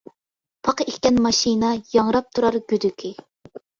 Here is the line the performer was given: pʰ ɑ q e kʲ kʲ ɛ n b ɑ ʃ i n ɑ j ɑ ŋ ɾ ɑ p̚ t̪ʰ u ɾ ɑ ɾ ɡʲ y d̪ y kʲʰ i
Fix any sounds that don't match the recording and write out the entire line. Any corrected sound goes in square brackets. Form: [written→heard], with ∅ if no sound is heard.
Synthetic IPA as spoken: pʰ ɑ q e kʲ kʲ ɛ n [b→m] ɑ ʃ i n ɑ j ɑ ŋ ɾ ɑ p̚ t̪ʰ u ɾ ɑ ɾ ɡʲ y d̪ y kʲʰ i

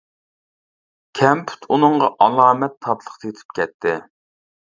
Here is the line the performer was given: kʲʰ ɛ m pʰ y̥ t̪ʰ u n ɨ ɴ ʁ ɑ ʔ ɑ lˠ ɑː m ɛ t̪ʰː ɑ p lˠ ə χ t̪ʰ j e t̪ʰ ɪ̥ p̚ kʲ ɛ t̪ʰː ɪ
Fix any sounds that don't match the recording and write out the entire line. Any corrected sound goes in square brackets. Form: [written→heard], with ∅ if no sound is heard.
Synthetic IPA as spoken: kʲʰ ɛ m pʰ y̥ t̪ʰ u n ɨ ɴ ʁ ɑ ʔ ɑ lˠ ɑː m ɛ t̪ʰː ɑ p lˠ ə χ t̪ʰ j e t̪ʰ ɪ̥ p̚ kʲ ɛ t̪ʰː ɪ

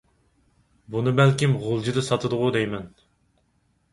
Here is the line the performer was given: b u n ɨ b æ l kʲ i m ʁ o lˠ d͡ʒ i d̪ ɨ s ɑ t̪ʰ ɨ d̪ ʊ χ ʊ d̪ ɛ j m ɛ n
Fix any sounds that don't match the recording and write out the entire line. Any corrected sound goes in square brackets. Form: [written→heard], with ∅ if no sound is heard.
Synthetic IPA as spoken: b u n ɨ b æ l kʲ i m ʁ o lˠ d͡ʒ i d̪ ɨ s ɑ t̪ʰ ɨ d̪ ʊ [χ→ʁ] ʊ d̪ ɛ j m ɛ n

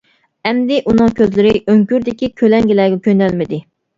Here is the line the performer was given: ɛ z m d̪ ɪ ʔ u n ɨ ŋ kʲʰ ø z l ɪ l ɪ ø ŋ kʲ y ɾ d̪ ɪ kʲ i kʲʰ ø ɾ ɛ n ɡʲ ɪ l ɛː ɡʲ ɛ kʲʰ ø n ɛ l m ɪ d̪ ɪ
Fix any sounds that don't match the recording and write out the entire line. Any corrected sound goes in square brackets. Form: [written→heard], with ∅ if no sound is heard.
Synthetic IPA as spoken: ɛ [z→∅] m d̪ ɪ ʔ u n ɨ ŋ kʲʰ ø z l ɪ [l→ɾ] ɪ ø ŋ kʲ y ɾ d̪ ɪ kʲ i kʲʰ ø [ɾ→l] ɛ [n→ŋ] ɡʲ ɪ l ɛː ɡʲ ɛ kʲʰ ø n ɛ l m ɪ d̪ ɪ

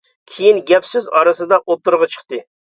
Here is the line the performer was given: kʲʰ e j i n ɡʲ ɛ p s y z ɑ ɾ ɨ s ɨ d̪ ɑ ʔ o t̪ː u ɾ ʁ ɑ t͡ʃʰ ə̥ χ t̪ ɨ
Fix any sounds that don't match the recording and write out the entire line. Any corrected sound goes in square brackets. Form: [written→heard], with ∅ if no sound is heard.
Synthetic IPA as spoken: kʲʰ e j i n ɡʲ ɛ p s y z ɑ ɾ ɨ s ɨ d̪ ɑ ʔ o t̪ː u ɾ ʁ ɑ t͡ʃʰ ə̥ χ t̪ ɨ

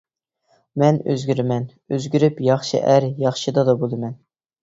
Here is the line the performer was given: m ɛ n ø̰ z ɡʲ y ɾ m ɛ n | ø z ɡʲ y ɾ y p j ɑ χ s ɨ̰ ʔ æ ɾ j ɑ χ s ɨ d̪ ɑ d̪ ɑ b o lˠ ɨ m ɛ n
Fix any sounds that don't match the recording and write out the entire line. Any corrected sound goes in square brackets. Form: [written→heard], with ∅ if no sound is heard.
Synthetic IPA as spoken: m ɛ n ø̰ z ɡʲ y ɾ m ɛ n | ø z ɡʲ y ɾ y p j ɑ χ [s→ʃ] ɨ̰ ʔ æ ɾ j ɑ χ [s→ʃ] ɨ d̪ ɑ d̪ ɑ b o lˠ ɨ m ɛ n

